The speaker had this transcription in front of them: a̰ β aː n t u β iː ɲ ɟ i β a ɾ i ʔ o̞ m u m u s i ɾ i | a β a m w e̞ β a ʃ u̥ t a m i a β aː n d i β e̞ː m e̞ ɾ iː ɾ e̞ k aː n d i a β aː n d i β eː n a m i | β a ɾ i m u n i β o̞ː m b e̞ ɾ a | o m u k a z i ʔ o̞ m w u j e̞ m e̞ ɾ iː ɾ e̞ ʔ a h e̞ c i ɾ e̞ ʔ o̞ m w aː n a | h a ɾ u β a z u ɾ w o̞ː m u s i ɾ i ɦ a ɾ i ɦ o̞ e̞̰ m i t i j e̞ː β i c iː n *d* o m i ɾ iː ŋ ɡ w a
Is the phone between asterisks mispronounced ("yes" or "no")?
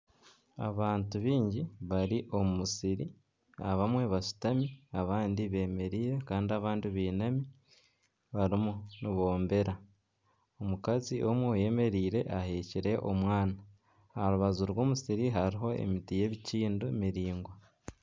no